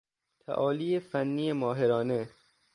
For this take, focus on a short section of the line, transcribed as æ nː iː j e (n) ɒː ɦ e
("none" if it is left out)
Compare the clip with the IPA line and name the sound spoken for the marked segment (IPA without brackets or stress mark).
m